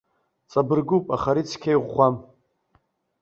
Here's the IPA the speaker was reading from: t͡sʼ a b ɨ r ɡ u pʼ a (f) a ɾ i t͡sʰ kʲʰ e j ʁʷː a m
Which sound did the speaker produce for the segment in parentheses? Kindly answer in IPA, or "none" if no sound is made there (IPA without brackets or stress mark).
χ